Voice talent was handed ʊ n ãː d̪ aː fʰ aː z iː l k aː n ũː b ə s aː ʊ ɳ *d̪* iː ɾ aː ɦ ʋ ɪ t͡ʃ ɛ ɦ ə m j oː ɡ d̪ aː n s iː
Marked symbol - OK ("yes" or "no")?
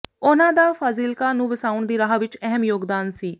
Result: yes